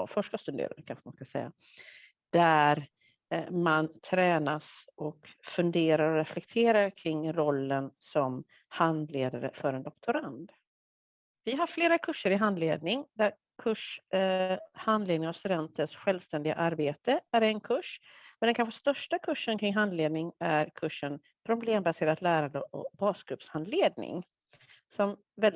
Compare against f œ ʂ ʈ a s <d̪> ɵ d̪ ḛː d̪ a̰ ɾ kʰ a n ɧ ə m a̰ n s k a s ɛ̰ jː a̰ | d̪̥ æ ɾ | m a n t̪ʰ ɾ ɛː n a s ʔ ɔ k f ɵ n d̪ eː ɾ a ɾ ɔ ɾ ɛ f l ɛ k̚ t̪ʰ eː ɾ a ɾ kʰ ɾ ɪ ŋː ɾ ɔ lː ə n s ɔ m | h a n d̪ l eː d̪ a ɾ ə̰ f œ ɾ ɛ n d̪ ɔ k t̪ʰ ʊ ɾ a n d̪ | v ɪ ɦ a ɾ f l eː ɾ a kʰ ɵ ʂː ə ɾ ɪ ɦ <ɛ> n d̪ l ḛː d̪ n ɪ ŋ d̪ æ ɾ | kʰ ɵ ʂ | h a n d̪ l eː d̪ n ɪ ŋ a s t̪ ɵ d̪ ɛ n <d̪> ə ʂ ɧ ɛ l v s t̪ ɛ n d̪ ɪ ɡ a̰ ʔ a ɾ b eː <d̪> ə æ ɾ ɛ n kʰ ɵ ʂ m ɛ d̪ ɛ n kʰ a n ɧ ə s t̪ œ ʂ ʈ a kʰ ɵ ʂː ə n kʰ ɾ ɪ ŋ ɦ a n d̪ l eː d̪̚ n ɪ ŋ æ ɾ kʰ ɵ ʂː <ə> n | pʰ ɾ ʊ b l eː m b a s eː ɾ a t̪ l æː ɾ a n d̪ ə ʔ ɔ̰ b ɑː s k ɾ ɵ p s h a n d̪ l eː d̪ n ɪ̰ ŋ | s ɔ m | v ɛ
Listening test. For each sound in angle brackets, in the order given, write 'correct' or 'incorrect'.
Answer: incorrect, incorrect, incorrect, incorrect, correct

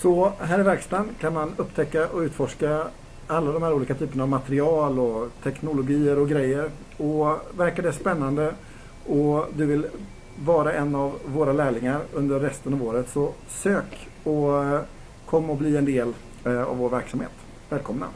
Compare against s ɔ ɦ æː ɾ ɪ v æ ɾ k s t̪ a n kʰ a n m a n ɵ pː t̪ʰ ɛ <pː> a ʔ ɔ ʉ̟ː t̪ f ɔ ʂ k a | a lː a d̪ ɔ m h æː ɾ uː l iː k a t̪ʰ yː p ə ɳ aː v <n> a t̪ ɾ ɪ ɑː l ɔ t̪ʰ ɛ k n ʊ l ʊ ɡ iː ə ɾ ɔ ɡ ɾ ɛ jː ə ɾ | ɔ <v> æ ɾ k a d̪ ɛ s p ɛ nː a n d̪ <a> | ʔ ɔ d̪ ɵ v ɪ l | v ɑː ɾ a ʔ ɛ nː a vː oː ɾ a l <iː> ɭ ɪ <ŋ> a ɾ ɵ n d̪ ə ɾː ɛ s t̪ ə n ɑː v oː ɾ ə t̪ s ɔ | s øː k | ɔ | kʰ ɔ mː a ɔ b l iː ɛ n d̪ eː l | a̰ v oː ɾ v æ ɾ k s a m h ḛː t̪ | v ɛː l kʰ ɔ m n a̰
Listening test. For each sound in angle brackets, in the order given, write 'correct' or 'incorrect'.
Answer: incorrect, incorrect, correct, incorrect, incorrect, correct

